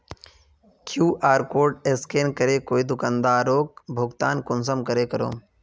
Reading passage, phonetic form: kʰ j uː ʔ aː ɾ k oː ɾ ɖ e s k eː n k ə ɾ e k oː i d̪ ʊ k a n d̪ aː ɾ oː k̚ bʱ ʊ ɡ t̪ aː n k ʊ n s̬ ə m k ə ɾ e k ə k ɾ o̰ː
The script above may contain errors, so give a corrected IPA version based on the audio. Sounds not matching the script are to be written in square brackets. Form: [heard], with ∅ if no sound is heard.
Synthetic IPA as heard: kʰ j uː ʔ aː ɾ k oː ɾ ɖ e s k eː n k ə ɾ e k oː i d̪ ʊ k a n d̪ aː ɾ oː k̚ bʱ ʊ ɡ t̪ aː n k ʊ n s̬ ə m k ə ɾ e k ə [∅] ɾ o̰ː